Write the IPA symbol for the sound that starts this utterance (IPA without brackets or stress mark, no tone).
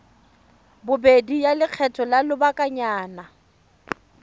b